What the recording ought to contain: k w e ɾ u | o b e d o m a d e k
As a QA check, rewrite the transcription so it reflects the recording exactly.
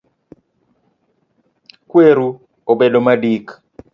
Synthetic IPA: k w e ɾ u | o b e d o m a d i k